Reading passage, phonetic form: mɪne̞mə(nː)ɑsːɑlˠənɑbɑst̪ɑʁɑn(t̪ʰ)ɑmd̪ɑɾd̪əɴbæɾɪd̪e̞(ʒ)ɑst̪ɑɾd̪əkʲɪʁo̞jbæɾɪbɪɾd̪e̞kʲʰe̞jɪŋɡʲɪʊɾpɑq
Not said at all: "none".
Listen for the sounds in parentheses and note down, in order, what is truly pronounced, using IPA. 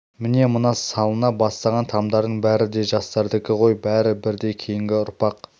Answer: n, t̪ʰ, ʒ

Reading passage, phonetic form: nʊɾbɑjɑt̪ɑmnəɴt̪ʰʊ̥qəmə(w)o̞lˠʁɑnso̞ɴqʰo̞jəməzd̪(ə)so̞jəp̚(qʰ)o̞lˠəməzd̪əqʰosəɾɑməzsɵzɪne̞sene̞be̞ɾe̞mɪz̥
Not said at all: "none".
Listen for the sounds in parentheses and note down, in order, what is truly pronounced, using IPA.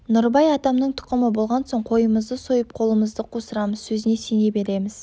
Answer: b, ə, qʰ

